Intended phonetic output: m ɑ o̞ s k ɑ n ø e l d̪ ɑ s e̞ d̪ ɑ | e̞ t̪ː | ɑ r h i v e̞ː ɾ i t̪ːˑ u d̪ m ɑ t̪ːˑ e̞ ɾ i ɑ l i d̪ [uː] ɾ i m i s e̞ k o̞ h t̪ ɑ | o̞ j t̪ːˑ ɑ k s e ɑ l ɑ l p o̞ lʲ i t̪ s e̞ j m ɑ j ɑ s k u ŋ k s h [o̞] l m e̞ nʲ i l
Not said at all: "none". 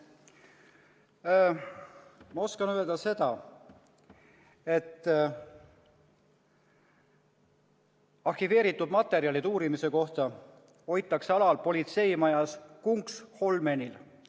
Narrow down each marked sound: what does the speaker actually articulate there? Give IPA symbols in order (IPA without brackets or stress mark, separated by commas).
uː, o̞